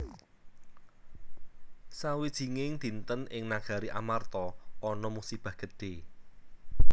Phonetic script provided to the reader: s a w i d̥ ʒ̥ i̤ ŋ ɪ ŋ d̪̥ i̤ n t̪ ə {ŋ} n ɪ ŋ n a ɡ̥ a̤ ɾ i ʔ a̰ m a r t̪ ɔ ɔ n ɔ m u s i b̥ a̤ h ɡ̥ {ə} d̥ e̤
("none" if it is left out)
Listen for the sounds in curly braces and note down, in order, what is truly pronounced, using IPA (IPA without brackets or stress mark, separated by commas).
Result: none, ə